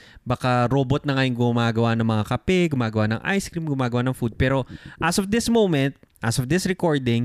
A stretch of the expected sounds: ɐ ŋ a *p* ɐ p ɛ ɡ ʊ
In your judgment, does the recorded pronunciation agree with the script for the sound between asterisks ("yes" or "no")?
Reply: no